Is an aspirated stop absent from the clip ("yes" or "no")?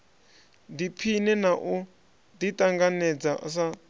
no